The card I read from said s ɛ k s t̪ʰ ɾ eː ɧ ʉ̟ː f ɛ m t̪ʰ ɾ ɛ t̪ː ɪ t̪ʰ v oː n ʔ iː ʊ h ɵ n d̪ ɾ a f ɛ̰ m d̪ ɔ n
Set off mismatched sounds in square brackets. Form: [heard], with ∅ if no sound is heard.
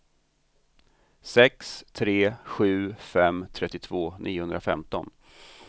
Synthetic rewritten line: s ɛ k s t̪ʰ ɾ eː ɧ ʉ̟ː f ɛ m t̪ʰ ɾ ɛ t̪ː ɪ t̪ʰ v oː n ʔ iː ʊ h ɵ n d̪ ɾ a f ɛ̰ m [t̪] ɔ n